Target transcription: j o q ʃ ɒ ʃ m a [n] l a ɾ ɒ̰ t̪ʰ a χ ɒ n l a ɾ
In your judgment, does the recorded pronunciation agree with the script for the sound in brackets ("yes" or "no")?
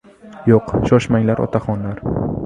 no